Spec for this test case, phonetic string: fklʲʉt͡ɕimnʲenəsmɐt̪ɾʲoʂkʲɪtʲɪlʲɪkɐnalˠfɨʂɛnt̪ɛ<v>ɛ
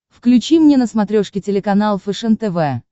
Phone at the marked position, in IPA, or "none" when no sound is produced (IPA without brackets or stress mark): v